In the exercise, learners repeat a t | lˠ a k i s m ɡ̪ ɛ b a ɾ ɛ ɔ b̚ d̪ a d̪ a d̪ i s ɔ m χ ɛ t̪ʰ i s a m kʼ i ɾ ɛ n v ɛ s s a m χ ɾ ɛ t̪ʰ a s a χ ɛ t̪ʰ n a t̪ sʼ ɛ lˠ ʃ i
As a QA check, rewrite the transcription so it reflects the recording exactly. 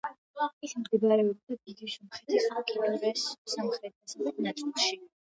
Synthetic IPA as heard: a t | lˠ a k i s m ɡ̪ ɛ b a ɾ ɛ ɔ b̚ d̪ a d̪ i d̪ i s ɔ m χ ɛ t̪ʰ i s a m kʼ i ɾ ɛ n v ɛ s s a m χ ɾ ɛ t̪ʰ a s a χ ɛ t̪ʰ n a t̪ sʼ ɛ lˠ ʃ i